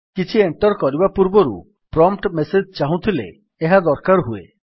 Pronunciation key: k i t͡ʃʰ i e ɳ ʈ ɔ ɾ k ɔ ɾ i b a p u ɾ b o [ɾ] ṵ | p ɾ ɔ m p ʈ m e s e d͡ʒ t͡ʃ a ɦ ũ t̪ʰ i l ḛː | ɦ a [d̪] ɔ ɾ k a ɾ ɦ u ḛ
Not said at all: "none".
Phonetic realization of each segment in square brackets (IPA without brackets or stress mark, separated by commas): ɾ, d̪